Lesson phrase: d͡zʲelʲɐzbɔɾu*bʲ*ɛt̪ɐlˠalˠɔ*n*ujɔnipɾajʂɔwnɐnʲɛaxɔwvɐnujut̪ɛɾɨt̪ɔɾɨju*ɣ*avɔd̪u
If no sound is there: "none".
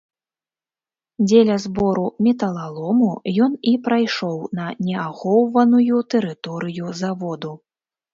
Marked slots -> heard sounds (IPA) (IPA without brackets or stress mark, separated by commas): mʲ, m, z